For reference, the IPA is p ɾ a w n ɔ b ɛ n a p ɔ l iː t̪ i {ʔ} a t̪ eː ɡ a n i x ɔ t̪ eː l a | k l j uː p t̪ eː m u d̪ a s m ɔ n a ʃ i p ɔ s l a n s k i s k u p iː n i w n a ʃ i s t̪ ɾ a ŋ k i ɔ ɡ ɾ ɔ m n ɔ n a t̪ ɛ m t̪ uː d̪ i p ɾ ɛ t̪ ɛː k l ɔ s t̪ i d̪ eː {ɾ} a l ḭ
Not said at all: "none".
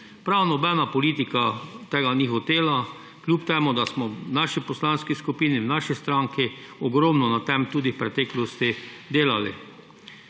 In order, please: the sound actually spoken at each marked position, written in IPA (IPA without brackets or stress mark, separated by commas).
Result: k, l